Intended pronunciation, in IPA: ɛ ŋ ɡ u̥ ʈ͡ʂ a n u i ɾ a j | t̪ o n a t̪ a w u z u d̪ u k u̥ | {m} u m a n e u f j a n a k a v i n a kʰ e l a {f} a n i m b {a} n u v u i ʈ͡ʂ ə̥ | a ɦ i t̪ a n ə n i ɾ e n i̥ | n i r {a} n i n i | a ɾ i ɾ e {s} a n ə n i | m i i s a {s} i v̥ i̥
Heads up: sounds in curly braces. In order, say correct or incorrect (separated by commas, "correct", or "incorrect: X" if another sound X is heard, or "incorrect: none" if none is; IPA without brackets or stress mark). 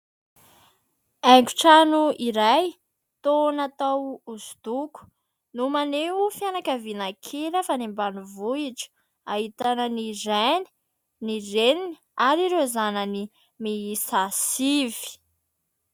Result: incorrect: n, correct, correct, incorrect: e, incorrect: z, correct